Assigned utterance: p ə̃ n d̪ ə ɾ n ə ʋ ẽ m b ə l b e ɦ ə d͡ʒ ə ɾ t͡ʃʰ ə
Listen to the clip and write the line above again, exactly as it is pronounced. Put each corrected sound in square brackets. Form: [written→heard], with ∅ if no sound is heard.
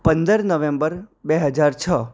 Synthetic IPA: p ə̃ n d̪ ə ɾ n ə ʋ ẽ m b ə [l→ɾ] b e ɦ ə d͡ʒ [ə→a] ɾ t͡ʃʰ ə